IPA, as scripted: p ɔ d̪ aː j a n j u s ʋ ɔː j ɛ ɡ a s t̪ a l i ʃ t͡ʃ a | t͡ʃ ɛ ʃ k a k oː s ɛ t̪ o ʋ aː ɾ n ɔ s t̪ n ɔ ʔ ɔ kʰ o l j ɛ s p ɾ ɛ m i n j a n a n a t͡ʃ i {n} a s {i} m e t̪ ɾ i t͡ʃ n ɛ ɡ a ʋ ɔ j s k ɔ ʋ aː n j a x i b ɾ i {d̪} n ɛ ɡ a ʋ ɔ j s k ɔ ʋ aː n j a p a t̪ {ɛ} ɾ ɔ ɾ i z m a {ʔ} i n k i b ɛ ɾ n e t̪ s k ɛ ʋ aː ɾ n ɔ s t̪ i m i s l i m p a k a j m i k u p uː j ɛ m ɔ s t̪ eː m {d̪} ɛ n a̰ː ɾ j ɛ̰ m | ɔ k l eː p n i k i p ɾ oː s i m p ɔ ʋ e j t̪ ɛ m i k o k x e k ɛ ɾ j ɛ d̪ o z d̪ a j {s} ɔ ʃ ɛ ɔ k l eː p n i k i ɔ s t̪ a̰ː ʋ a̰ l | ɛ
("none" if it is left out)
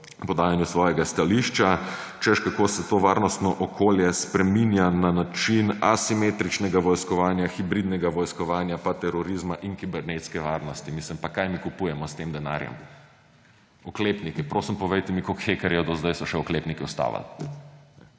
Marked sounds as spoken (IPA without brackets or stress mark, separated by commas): n, i, d̪, ɛ, ʔ, d̪, s